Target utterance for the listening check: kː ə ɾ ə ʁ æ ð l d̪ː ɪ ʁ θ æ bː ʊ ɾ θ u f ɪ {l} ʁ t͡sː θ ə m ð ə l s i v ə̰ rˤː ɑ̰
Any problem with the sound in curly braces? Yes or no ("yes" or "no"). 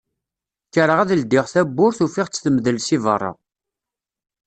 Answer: yes